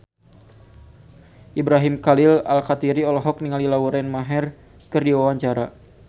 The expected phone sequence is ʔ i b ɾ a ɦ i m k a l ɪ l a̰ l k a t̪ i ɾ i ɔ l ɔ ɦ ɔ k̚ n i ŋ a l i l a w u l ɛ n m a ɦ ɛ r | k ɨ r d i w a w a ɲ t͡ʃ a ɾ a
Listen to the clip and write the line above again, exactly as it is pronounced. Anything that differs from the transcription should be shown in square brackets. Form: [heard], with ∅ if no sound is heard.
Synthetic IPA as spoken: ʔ i b ɾ a ɦ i m k a l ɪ l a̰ l k a t̪ i ɾ i ɔ l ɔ ɦ ɔ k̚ n i ŋ a l i l a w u [ɾ] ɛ n m a ɦ ɛ r | k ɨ r d i w a w a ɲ t͡ʃ a ɾ a